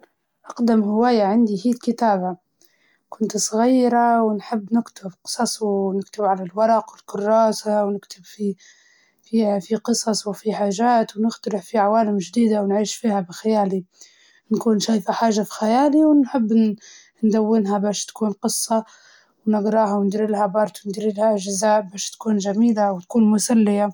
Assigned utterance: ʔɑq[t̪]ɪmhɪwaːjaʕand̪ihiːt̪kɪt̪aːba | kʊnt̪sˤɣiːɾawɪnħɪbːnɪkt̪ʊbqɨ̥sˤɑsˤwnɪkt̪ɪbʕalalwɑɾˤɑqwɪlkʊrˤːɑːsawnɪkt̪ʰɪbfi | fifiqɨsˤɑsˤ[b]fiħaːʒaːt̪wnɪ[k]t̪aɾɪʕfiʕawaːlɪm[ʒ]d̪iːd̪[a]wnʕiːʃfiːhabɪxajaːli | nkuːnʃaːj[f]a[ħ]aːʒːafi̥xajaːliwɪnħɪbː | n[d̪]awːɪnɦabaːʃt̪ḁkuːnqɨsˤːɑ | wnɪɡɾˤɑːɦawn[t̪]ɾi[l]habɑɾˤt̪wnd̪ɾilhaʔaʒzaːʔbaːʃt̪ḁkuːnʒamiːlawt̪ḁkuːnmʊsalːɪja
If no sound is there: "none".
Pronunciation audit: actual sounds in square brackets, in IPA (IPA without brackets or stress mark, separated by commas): d̪, w, x, ʒ, a, f, ħ, d̪, d̪, l